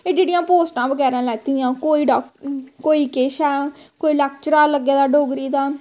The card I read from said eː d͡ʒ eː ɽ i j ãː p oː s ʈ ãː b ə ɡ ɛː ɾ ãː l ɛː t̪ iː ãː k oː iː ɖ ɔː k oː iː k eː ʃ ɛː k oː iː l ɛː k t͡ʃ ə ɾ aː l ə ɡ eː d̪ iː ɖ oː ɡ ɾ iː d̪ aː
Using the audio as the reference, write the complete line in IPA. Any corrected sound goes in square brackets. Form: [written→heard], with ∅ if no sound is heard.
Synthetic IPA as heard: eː d͡ʒ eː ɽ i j ãː p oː s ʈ ãː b ə ɡ ɛː ɾ ãː l ɛː t̪ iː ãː k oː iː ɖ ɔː k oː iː k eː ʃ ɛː k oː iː l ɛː k t͡ʃ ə ɾ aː l ə ɡ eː d̪ [iː→aː] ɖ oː ɡ ɾ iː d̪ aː